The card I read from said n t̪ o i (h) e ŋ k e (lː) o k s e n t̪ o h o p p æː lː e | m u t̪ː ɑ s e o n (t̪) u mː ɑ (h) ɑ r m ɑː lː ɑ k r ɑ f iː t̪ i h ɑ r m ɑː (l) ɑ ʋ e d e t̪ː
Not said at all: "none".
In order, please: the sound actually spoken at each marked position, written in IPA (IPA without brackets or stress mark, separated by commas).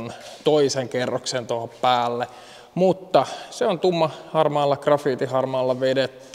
s, rː, t̪, h, lː